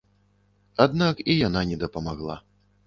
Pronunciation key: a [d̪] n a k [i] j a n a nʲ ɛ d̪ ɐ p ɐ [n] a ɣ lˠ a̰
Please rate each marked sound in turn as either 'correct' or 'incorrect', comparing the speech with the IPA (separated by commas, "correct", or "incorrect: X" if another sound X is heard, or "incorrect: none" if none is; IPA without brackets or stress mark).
correct, correct, incorrect: m